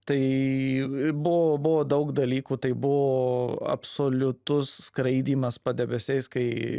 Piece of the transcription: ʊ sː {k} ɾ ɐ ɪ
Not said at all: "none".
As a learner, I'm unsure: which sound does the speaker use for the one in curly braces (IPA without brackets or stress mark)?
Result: k